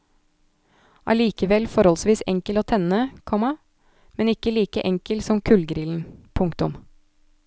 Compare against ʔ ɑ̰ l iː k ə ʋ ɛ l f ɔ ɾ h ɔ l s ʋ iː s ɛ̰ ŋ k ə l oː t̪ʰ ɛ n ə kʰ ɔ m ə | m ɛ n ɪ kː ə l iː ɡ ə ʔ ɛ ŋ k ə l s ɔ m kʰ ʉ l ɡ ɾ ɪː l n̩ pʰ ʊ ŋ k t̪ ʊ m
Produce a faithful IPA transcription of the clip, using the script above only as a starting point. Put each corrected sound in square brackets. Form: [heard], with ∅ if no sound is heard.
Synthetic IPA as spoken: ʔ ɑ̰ l iː k ə ʋ ɛ l f ɔ ɾ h ɔ l s ʋ iː s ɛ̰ ŋ k ə l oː t̪ʰ ɛ n ə kʰ ɔ m [ɑ] | m ɛ n ɪ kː ə l iː [k] ə ʔ ɛ ŋ k ə l s ɔ m kʰ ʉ l ɡ ɾ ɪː l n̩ pʰ ʊ ŋ k t̪ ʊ m